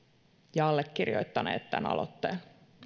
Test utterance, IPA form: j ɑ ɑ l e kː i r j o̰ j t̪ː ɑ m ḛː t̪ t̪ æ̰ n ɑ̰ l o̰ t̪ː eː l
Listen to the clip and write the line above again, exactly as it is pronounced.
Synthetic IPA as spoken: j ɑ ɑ lː e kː i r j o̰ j t̪ː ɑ n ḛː t̪ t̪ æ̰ n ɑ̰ l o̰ t̪ː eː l